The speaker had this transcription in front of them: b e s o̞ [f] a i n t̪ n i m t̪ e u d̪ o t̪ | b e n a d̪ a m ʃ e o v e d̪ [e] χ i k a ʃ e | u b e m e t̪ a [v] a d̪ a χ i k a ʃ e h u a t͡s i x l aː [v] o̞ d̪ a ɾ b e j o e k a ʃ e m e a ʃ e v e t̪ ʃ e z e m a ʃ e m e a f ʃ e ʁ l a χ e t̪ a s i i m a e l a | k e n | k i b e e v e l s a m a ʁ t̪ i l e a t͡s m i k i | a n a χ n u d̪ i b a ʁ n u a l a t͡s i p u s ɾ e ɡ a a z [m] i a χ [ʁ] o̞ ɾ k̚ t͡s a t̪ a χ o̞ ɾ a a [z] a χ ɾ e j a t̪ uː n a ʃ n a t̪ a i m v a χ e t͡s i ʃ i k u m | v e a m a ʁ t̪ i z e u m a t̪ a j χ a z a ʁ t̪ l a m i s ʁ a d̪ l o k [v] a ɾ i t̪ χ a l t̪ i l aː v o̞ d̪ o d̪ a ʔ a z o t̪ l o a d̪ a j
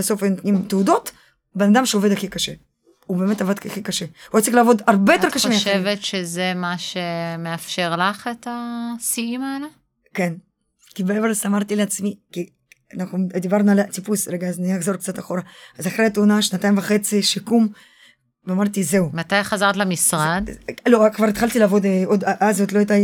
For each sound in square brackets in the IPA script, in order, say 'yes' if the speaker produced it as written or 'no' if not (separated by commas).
yes, no, yes, yes, no, no, yes, yes